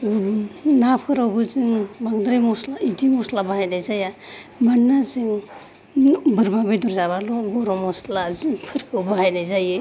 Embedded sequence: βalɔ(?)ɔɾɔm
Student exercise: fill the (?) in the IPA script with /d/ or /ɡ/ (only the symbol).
ɡ